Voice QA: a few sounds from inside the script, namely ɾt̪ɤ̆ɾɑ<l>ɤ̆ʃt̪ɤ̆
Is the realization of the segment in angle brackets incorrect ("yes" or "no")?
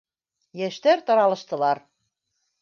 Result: no